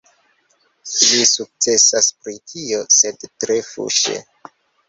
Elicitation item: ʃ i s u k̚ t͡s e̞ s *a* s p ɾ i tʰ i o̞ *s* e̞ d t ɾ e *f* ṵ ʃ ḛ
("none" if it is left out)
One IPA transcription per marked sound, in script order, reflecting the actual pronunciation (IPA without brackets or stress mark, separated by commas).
a, s, f